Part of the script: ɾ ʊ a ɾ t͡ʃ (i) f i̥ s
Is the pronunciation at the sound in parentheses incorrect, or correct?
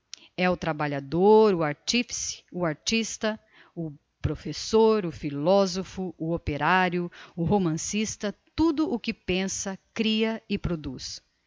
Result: correct